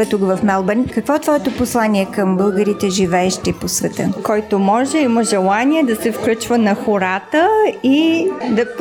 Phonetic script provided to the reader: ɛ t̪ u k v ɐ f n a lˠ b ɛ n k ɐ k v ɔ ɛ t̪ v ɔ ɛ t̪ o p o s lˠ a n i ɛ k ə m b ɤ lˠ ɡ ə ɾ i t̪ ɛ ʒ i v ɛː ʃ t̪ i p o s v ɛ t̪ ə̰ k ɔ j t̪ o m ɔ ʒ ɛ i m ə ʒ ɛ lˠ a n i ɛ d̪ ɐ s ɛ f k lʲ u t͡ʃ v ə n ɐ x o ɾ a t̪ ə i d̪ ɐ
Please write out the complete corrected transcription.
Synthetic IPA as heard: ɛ t̪ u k v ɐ f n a lˠ b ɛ n k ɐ k v ɔ ɛ t̪ v ɔ ɛ t̪ o p o s lˠ a n i ɛ k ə m b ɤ lˠ ɡ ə ɾ i t̪ ɛ ʒ i v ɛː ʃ t̪ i p o s v ɛ t̪ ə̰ k ɔ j t̪ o m ɔ ʒ ɛ i m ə ʒ ɛ lˠ a n i ɛ d̪ ɐ s ɛ f k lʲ u t͡ʃ v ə n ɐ x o ɾ a t̪ ə i d̪ ɐ